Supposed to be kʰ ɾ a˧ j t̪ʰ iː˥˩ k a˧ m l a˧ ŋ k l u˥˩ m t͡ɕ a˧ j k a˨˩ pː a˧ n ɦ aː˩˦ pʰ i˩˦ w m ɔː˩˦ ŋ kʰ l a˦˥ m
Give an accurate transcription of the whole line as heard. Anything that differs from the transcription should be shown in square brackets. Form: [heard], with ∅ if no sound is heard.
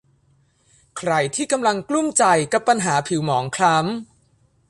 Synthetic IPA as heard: kʰ ɾ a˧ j t̪ʰ iː˥˩ k a˧ m l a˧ ŋ k l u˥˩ m t͡ɕ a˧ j k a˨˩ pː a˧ n ɦ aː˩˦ pʰ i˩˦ w m ɔː˩˦ ŋ kʰ l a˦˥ m